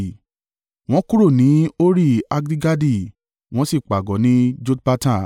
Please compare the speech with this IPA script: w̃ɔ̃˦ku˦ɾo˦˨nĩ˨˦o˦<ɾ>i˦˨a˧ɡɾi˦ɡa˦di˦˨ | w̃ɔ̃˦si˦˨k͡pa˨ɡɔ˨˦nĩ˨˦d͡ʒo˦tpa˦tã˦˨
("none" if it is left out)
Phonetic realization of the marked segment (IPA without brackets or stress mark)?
ɾ